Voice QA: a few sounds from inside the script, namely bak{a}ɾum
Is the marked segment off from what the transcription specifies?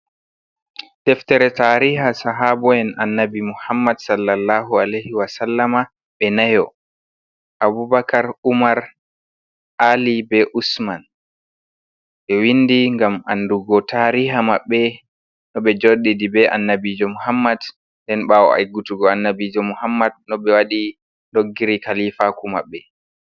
no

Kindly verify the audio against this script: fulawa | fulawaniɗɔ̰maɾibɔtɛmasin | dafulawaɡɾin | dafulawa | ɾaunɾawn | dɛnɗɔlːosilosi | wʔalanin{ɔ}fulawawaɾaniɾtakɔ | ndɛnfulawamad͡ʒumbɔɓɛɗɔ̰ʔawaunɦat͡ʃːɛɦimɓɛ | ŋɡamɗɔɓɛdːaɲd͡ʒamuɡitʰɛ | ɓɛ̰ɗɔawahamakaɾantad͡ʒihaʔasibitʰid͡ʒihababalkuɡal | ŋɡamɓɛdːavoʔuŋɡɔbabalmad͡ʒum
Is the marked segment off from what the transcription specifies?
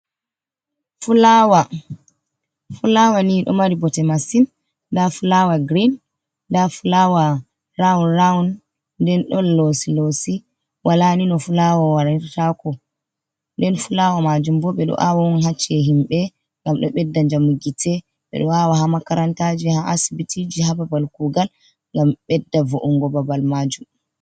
no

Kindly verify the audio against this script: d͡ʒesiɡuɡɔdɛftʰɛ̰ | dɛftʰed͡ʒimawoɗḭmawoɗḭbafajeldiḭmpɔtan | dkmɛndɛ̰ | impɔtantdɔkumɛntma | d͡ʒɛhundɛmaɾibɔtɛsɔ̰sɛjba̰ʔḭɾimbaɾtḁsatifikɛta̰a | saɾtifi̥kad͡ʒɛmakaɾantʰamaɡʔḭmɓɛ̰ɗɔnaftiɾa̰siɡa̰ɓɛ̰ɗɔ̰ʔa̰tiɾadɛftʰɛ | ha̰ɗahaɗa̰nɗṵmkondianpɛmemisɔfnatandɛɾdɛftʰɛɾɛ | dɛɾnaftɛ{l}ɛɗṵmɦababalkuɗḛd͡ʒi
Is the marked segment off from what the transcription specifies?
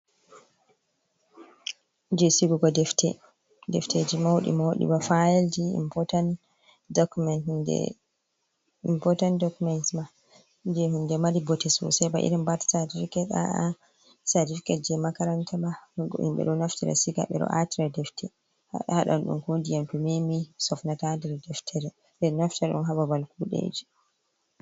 yes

